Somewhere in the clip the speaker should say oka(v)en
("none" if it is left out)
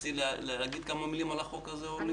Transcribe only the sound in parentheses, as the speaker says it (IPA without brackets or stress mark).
z